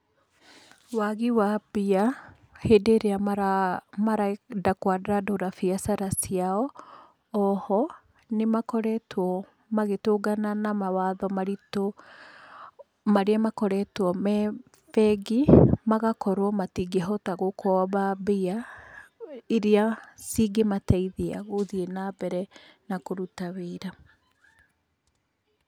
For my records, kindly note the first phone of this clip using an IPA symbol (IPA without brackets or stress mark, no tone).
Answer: w